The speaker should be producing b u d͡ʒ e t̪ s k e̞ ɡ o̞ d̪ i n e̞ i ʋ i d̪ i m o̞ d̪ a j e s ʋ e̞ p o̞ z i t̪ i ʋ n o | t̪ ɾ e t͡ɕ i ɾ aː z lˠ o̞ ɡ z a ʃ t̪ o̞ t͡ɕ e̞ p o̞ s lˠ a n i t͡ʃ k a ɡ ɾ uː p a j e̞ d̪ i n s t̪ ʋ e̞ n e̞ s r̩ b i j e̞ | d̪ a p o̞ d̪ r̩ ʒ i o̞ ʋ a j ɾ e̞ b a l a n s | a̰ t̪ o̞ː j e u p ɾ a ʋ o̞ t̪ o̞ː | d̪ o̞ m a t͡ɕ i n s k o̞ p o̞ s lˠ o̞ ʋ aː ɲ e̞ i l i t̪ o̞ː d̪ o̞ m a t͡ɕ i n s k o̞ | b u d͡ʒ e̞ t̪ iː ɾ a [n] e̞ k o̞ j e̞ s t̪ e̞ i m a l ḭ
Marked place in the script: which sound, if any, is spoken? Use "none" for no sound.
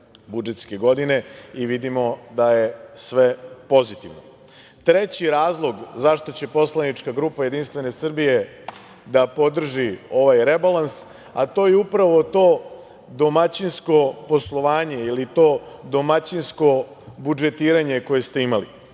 ɲ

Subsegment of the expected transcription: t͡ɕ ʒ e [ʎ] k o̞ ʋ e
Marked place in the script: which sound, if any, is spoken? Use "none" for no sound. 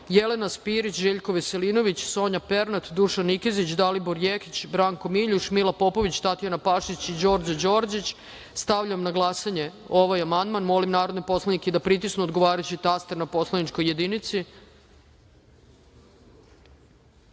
ʎ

